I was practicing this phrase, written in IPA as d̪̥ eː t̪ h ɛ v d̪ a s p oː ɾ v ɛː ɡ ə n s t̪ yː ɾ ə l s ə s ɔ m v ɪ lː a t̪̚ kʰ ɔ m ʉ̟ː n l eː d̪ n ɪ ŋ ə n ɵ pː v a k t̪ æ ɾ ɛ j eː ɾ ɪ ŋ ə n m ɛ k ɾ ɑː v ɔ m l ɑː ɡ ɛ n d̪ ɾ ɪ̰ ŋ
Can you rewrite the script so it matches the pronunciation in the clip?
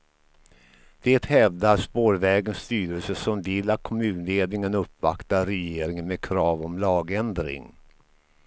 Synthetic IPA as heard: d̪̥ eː t̪ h ɛ v d̪ a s p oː ɾ v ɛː ɡ ə n s t̪ yː ɾ ə l s ə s ɔ m v ɪ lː a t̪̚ kʰ ɔ m ʉ̟ː n l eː d̪ n ɪ ŋ ə n ɵ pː v a k t̪ a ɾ ɛ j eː ɾ ɪ ŋ ə n m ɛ kʰ ɾ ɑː v ɔ m l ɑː ɡ ɛ n d̪ ɾ ɪ̰ ŋ